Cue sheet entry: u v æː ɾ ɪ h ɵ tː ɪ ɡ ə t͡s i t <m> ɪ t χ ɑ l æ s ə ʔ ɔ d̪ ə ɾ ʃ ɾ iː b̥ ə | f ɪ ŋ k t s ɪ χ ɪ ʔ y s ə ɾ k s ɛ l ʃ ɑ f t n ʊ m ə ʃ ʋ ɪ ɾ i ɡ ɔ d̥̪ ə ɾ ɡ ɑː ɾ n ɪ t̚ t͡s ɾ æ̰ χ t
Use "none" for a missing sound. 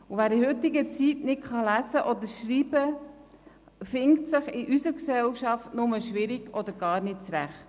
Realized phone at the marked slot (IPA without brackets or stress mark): n